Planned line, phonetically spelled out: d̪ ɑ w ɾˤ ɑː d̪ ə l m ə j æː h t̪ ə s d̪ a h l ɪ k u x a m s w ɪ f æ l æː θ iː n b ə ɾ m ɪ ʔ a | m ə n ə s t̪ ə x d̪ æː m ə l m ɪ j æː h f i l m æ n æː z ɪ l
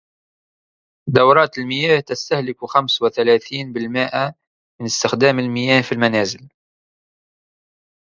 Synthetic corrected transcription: d̪ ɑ w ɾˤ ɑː t̪ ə l m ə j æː h t̪ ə s t̪ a h l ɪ k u x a m s w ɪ θ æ l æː θ iː n b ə l m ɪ ʔ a | m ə n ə s t̪ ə x d̪ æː m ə l m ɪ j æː h f i l m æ n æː z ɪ l